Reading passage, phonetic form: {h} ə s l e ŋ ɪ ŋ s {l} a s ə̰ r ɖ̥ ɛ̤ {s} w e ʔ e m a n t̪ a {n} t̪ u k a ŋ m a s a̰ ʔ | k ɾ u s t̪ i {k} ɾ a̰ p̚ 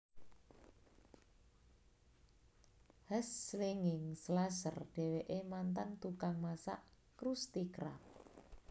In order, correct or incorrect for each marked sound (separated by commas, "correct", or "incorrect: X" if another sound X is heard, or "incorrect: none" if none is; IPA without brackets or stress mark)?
correct, correct, incorrect: none, correct, correct